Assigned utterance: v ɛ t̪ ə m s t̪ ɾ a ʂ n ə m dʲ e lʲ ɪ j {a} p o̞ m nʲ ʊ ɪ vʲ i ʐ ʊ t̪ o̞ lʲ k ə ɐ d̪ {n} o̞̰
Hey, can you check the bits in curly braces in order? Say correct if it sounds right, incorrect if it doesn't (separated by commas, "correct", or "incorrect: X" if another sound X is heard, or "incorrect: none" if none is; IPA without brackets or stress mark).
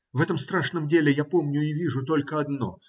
correct, correct